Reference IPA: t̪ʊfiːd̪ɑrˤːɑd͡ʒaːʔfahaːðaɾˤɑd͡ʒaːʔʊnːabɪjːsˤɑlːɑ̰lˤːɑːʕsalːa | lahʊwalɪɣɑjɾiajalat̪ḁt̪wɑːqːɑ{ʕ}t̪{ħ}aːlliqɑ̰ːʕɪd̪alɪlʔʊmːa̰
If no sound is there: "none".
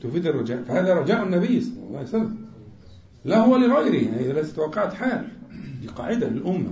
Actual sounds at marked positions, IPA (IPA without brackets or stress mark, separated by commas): ʕ, ħ